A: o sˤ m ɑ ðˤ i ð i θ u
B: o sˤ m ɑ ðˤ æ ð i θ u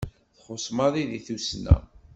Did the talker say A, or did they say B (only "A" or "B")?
A